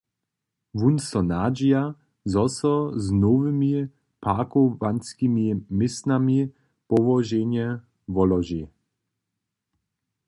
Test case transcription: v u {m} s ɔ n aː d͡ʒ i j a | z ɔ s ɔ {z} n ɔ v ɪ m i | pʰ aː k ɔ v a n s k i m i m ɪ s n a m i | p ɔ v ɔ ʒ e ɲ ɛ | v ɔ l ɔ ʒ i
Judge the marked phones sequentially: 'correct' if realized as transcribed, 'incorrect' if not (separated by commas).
incorrect, correct